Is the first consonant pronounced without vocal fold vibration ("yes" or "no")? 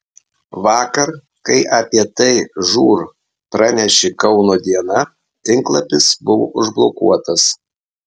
no